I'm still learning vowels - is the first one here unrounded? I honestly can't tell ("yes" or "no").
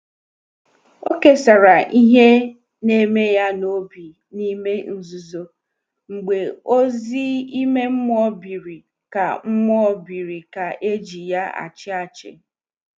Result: no